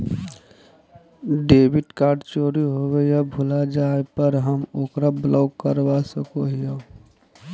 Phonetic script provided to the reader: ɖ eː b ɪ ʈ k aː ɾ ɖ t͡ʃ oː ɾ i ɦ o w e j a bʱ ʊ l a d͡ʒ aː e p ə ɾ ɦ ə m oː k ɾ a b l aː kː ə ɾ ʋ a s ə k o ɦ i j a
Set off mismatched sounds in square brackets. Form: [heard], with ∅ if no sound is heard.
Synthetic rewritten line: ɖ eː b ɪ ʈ k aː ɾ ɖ t͡ʃ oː ɾ i ɦ o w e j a bʱ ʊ l a d͡ʒ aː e p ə ɾ ɦ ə m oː k ɾ a b l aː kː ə ɾ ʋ a s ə k o ɦ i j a